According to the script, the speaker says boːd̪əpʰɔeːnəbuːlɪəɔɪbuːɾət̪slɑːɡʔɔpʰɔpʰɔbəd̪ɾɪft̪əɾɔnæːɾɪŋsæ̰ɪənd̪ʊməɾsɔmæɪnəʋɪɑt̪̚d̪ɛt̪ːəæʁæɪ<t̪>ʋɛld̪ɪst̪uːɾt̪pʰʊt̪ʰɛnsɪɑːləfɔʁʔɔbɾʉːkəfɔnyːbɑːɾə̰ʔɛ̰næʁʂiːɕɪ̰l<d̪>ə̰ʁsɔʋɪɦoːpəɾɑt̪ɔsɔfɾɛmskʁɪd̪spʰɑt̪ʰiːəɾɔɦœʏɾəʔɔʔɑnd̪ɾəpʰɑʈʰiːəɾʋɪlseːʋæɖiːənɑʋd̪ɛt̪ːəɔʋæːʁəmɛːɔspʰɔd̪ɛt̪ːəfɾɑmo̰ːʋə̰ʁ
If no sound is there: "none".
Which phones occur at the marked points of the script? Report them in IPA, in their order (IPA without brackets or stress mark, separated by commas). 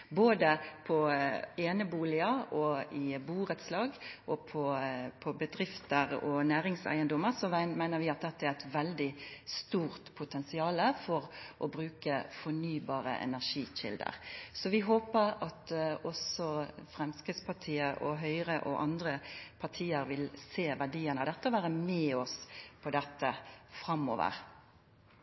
t̪, d̪